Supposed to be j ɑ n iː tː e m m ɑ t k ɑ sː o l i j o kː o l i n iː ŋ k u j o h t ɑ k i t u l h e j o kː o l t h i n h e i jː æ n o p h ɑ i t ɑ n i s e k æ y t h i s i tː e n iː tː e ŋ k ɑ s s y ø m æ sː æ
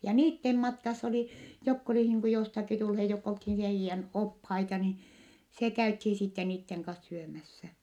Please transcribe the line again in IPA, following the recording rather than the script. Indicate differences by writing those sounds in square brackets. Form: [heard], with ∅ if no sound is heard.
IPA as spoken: j ɑ n iː tː e m m ɑ t k ɑ sː o l i j o kː o l i n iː ŋ k u j o [s] t ɑ k i t u l h e j o kː o l t h i n h e i jː æ n o p h ɑ i t ɑ n i s e k æ y t h i s i tː e n iː tː e ŋ k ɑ s s y ø m æ sː æ